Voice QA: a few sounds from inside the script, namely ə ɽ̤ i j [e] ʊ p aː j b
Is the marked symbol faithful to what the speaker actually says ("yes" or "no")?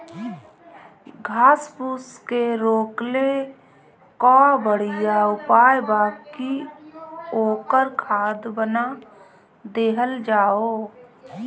no